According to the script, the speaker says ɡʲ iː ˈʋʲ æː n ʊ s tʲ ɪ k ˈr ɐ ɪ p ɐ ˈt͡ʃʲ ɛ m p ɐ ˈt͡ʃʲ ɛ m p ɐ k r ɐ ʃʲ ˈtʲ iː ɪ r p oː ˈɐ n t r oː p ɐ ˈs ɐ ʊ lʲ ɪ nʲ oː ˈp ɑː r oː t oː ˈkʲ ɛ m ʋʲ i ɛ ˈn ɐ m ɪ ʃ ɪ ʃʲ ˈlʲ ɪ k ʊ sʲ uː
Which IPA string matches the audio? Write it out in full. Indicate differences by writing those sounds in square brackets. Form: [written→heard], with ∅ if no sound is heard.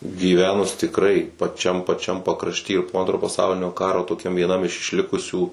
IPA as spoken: ɡʲ iː ˈʋʲ æː n ʊ s tʲ ɪ k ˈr ɐ ɪ p ɐ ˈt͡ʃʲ ɛ m p ɐ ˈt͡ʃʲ ɛ m p ɐ k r ɐ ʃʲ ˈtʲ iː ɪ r p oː ˈɐ n t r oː p ɐ ˈs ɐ ʊ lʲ ɪ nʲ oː [ˈp→ˈk] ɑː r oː t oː ˈkʲ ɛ m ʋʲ i ɛ ˈn ɐ m ɪ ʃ ɪ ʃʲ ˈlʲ ɪ k ʊ sʲ uː

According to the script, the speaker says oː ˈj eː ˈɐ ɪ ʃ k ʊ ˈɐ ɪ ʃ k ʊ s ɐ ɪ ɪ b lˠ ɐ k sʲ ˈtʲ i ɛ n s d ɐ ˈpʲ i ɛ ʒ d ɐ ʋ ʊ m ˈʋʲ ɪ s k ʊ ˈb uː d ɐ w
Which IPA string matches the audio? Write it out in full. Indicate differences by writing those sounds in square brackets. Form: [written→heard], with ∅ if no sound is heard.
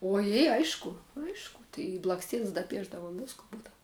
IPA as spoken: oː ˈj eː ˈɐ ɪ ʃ k ʊ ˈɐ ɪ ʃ k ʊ [s→t] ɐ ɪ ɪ b lˠ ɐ k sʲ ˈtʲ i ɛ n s d ɐ ˈpʲ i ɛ ʒ d ɐ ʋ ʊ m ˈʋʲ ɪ s k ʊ ˈb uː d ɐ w

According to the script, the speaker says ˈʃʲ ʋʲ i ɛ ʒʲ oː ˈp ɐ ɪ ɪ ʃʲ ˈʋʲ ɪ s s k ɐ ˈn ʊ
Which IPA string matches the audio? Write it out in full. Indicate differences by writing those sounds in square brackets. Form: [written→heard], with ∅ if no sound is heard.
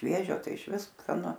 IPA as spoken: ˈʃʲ ʋʲ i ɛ ʒʲ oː [ˈp→ˈt] ɐ ɪ ɪ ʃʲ ˈʋʲ ɪ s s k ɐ ˈn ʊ

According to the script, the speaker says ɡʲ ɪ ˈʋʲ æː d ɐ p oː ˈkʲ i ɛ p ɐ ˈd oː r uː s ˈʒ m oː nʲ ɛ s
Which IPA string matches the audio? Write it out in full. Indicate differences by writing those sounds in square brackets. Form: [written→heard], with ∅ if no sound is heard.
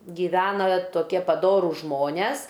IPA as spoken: ɡʲ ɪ ˈʋʲ æː [d→n] ɐ [p→t] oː ˈkʲ i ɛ p ɐ ˈd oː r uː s ˈʒ m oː nʲ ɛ s

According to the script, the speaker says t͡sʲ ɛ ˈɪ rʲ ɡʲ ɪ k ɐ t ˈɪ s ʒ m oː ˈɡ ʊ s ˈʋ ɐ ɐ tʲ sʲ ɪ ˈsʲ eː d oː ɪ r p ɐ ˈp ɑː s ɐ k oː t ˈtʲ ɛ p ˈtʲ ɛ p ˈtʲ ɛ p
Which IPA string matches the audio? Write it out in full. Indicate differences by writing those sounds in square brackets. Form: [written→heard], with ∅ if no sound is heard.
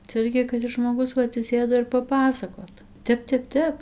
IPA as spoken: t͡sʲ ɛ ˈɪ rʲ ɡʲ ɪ k ɐ t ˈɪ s ʒ m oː ˈɡ ʊ s ˈʋ ɐ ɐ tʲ sʲ ɪ ˈsʲ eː d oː ɪ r p ɐ ˈp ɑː s ɐ k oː t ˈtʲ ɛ p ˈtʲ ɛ p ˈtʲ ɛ p

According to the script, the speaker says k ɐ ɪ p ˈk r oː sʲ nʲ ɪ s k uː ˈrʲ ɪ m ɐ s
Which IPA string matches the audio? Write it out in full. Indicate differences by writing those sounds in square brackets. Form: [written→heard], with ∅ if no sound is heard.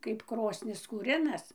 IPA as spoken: k ɐ ɪ p ˈk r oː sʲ nʲ ɪ s k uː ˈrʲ ɪ [m→n] ɐ s

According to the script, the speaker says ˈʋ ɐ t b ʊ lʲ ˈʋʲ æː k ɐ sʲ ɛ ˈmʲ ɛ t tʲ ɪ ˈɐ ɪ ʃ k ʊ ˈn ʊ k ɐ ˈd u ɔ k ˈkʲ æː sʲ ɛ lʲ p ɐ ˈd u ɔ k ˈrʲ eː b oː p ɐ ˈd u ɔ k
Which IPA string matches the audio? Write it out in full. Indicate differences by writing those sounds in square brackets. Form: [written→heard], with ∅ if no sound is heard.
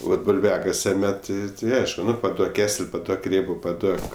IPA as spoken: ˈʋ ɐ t b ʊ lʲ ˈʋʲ æː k ɐ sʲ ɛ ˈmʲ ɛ t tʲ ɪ ˈɐ ɪ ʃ k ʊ ˈn ʊ [k→p] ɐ ˈd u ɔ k ˈkʲ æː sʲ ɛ lʲ p ɐ ˈd u ɔ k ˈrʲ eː b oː p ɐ ˈd u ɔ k

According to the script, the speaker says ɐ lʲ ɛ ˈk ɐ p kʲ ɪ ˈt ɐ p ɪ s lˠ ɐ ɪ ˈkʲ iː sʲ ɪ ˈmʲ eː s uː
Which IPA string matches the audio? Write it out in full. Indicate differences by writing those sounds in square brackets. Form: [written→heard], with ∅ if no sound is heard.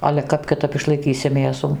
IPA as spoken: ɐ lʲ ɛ ˈk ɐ p kʲ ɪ ˈt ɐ p ɪ [s→ʃ] lˠ ɐ ɪ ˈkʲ iː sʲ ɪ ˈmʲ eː s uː

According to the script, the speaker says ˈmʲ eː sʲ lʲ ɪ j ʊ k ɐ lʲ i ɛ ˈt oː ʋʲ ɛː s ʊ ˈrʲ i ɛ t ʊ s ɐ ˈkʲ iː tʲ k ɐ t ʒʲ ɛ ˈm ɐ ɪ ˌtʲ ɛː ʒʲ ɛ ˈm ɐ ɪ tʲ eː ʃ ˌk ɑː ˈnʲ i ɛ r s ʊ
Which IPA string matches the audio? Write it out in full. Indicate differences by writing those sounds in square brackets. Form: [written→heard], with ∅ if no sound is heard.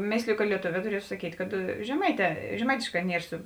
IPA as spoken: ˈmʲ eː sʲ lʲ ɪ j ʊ k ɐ lʲ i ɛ ˈt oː ʋʲ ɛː [s→t] ʊ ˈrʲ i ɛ t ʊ s ɐ ˈkʲ iː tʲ k ɐ t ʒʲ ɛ ˈm ɐ ɪ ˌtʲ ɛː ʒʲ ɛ ˈm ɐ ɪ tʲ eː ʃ ˌk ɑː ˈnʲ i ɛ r s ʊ

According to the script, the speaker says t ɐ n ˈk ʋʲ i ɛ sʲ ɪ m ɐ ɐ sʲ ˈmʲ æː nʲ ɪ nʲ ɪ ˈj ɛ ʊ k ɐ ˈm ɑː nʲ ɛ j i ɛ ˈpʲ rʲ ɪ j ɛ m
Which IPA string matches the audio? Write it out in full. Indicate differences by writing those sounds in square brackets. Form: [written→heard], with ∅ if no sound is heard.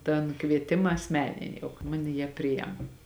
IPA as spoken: t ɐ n ˈk ʋʲ i ɛ [sʲ→tʲ] ɪ m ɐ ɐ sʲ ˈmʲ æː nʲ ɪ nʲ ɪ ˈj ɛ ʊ k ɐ ˈm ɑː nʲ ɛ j i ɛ ˈpʲ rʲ ɪ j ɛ m

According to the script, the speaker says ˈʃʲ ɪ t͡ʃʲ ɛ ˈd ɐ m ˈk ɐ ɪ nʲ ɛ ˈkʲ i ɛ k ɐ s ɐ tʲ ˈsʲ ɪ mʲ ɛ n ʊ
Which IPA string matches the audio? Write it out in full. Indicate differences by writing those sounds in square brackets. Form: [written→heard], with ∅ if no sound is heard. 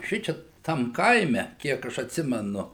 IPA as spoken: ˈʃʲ ɪ t͡ʃʲ ɛ [ˈd→ˈt] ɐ m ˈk ɐ ɪ [nʲ→mʲ] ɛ ˈkʲ i ɛ k ɐ [s→ʃ] ɐ tʲ ˈsʲ ɪ mʲ ɛ n ʊ

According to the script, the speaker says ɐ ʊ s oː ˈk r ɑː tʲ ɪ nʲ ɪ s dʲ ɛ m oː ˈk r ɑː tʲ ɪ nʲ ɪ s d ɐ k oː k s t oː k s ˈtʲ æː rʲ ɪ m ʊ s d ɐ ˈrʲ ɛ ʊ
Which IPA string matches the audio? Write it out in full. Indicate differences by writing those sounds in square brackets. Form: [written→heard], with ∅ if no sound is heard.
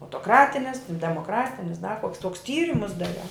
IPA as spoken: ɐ ʊ [s→t] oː ˈk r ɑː tʲ ɪ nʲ ɪ s dʲ ɛ m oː ˈk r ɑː tʲ ɪ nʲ ɪ s d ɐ k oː k s t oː k s ˈtʲ [æː→iː] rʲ ɪ m ʊ s d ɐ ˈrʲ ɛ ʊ

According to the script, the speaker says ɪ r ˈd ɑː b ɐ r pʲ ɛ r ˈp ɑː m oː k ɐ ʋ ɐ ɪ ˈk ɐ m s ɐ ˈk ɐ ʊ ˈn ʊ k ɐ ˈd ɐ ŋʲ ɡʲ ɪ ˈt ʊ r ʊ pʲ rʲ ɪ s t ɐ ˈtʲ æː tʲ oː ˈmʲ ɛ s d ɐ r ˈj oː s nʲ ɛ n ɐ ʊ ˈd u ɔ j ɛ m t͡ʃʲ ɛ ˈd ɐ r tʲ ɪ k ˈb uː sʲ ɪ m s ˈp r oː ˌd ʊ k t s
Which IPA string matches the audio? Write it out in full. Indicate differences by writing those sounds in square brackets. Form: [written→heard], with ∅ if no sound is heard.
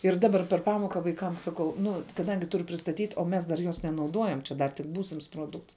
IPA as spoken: ɪ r ˈd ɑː b ɐ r pʲ ɛ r ˈp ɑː m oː k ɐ ʋ ɐ ɪ ˈk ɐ m s ɐ ˈk ɐ ʊ ˈn ʊ k ɐ ˈd ɐ ŋʲ ɡʲ ɪ ˈt ʊ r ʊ pʲ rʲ ɪ s t ɐ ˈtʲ [æː→iː] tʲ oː ˈmʲ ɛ s d ɐ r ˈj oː s nʲ ɛ n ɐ ʊ ˈd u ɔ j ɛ m t͡ʃʲ ɛ ˈd ɐ r tʲ ɪ k ˈb uː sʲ ɪ m s ˈp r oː ˌd ʊ k t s

